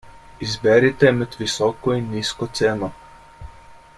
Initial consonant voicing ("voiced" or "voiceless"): voiced